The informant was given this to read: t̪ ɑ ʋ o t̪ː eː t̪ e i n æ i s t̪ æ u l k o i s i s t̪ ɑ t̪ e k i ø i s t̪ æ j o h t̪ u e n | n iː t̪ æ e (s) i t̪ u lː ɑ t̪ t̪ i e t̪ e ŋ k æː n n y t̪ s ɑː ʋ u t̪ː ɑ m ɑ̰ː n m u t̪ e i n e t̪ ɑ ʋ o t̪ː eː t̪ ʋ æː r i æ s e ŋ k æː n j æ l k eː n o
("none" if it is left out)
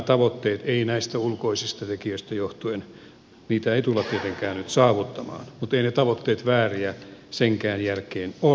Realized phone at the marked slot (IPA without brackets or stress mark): none